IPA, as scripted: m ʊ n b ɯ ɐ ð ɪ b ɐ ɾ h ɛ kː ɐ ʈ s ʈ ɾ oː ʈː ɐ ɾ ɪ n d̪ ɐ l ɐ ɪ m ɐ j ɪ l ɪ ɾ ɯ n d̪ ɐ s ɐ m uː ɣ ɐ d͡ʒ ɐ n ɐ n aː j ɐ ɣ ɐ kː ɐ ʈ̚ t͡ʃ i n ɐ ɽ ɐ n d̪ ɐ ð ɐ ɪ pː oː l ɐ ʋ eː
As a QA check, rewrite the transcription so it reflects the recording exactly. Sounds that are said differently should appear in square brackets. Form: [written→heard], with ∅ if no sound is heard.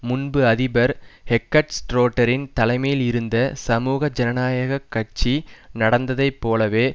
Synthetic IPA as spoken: m ʊ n b ɯ ɐ ð ɪ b ɐ ɾ h ɛ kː ɐ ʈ s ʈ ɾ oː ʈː ɐ ɾ ɪ n [d̪→t̪] ɐ l ɐ ɪ m ɐ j ɪ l ɪ ɾ ɯ n d̪ ɐ s ɐ m uː ɣ ɐ d͡ʒ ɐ n ɐ n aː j ɐ ɣ ɐ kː ɐ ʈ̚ t͡ʃ i n ɐ ɽ ɐ n d̪ ɐ ð ɐ ɪ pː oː l ɐ ʋ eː

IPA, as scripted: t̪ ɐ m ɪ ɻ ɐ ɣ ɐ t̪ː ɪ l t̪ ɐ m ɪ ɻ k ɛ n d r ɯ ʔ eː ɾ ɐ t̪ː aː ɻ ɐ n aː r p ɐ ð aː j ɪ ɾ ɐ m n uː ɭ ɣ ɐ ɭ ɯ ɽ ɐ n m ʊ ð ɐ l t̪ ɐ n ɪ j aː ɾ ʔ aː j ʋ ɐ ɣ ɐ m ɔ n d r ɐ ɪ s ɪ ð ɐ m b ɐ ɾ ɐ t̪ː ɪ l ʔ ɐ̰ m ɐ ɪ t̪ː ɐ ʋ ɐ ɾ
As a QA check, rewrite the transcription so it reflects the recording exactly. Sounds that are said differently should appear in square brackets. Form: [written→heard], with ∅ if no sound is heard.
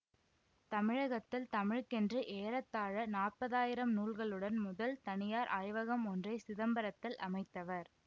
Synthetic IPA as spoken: t̪ ɐ m ɪ ɻ ɐ ɣ ɐ t̪ː ɪ l t̪ ɐ m ɪ ɻ k ɛ n d r ɯ ʔ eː ɾ ɐ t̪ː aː ɻ ɐ n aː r p ɐ ð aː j ɪ ɾ ɐ m n uː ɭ ɣ ɐ ɭ ɯ ɽ ɐ n m ʊ ð ɐ l t̪ ɐ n ɪ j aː ɾ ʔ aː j ʋ ɐ ɣ ɐ m ɔ n d r ɐ ɪ s ɪ ð ɐ m b ɐ ɾ ɐ t̪ː ɪ l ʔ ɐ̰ m ɐ ɪ t̪ː ɐ ʋ ɐ ɾ

